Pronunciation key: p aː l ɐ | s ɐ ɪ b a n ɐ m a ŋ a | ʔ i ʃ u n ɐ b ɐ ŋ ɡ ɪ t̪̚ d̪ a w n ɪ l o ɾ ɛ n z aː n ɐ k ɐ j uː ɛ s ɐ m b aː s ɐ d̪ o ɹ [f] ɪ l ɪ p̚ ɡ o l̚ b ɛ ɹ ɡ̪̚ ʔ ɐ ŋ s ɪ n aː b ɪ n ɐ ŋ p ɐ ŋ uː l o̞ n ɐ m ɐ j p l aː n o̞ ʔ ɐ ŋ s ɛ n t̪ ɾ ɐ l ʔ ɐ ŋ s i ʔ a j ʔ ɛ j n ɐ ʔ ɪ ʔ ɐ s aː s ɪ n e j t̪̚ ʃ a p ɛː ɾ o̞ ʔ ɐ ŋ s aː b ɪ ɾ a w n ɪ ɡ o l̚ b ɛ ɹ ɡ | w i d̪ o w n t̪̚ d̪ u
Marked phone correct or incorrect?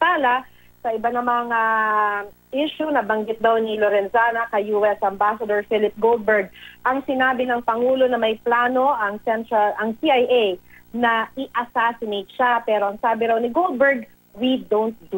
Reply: correct